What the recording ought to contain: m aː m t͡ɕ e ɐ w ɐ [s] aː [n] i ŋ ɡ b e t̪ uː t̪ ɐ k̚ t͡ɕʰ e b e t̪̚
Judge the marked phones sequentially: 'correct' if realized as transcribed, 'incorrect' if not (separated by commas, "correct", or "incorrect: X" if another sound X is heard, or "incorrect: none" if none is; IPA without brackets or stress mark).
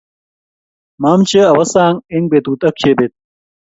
correct, incorrect: ŋ